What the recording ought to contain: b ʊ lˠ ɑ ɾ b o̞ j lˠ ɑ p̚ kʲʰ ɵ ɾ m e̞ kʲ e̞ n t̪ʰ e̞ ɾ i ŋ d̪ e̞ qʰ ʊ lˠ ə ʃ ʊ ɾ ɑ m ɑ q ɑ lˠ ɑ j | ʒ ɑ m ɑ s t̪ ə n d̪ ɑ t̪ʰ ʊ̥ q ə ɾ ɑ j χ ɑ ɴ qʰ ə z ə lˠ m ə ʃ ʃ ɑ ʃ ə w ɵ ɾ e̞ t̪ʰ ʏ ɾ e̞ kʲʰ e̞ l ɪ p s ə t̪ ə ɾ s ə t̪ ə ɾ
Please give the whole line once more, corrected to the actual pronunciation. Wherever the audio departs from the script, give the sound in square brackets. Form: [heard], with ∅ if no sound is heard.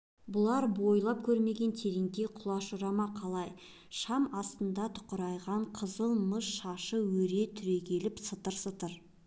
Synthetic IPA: b ʊ lˠ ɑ ɾ b o̞ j lˠ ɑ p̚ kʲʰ ɵ ɾ m e̞ [ɡʲ] e̞ n t̪ʰ e̞ ɾ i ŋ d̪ e̞ qʰ ʊ lˠ [ɑ] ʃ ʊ ɾ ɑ m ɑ [qʰ] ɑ lˠ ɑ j | [ʃ] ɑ m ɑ s t̪ ə n d̪ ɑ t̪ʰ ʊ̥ q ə ɾ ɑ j [ʁ] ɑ ɴ qʰ ə z ə lˠ m ə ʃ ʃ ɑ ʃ ə w ɵ ɾ e̞ t̪ʰ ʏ ɾ e̞ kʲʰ e̞ l ɪ p s ə t̪ ə ɾ s ə t̪ ə ɾ